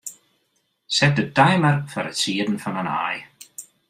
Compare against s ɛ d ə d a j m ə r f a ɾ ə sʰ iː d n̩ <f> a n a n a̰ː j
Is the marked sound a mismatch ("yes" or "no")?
no